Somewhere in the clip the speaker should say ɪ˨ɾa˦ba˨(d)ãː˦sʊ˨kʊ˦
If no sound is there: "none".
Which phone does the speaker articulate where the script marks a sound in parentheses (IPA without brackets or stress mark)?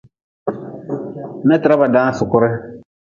d